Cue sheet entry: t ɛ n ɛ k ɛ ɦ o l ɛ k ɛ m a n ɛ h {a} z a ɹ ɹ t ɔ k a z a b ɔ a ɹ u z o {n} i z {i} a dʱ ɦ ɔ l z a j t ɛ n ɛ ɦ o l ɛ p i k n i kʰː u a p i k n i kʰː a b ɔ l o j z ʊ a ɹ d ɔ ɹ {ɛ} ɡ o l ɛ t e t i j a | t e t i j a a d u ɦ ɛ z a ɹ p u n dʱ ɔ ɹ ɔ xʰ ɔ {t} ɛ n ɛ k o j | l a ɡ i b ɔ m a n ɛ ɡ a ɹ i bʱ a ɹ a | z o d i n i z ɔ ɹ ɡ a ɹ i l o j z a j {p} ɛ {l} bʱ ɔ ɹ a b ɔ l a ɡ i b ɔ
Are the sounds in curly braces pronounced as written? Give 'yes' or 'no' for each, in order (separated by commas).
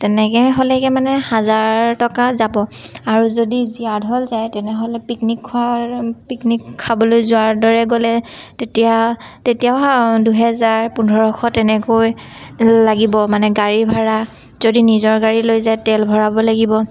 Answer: yes, no, yes, yes, yes, no, yes